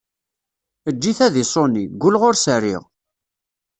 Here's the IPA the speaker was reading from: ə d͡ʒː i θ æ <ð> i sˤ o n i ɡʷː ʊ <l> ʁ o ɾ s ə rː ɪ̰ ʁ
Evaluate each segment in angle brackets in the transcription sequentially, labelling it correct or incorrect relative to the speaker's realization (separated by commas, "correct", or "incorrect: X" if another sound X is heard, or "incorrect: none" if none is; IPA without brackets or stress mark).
correct, correct